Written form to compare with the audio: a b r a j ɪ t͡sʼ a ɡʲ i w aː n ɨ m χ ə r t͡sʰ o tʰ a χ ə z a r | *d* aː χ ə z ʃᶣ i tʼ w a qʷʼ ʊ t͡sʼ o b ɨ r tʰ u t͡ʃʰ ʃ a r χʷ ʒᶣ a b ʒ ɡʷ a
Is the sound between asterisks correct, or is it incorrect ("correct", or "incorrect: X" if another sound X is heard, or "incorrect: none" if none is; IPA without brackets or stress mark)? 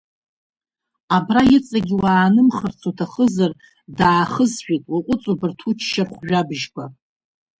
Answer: correct